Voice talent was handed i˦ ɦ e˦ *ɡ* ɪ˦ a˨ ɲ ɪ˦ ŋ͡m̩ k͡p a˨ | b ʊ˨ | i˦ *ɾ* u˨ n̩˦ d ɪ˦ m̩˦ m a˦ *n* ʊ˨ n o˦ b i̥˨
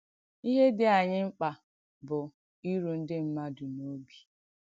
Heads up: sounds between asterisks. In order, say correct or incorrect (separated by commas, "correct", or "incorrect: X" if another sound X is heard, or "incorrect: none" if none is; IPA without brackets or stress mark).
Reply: incorrect: d, correct, incorrect: d